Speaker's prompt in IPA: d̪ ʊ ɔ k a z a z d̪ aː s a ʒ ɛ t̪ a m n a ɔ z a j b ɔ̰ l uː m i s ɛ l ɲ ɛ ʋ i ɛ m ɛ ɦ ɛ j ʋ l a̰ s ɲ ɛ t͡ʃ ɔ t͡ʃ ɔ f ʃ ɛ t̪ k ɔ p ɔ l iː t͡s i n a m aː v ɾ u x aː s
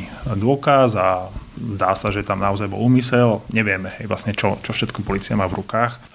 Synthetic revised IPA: d̪ ʊ ɔ k a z a z d̪ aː s a ʒ ɛ t̪ a m n a ɔ z a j b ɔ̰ l uː m i s ɛ l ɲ ɛ ʋ ɪ ɛ m ɛ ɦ ɛ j ʋ l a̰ s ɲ ɛ t͡ʃ ɔ t͡ʃ ɔ f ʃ ɛ t̪ k ɔ p ɔ l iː t͡s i a m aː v ɾ u k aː x